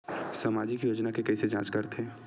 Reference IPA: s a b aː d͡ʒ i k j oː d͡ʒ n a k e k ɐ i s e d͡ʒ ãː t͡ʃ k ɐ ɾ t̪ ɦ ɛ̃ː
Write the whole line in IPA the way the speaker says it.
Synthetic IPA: s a m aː d͡ʒ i k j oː d͡ʒ n a k e k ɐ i s e d͡ʒ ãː t͡ʃ k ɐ ɾ t̪ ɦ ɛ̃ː

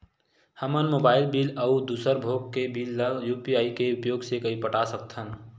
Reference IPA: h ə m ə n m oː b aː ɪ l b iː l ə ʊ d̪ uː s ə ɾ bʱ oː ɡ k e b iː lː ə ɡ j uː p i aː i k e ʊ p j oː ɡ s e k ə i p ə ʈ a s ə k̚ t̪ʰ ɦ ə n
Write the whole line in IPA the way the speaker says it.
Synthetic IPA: h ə m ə n m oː b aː ɪ l b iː l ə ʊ d̪ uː s ə ɾ bʱ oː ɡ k e b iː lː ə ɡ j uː p i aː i k e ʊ p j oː ɡ s e k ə i p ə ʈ a s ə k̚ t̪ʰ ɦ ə n

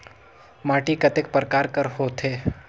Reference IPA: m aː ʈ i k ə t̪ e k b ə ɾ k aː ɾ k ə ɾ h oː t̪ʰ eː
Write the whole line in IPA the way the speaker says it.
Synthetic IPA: m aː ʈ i k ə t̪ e k p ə ɾ k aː ɾ k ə ɾ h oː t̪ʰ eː

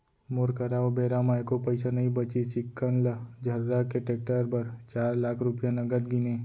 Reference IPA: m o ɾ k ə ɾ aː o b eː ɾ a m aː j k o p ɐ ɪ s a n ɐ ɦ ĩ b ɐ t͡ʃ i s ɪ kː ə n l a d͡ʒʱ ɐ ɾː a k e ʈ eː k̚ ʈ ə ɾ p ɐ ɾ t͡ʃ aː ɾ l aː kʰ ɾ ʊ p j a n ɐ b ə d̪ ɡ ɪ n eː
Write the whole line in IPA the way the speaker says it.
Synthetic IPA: m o ɾ k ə ɾ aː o b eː ɾ a m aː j k o p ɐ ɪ s a n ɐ ɦ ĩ b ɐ t͡ʃ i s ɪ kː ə n l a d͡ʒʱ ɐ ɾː a k e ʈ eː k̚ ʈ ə ɾ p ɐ ɾ t͡ʃ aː ɾ l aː kʰ ɾ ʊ p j a n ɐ ɡ ə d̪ ɡ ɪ n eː

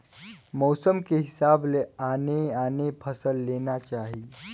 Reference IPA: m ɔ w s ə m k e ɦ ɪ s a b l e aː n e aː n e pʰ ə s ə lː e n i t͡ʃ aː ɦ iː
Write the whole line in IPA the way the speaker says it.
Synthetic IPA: m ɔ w s ə m k e ɦ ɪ s a b l e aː n e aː n e pʰ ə s ə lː e n a t͡ʃ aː ɦ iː

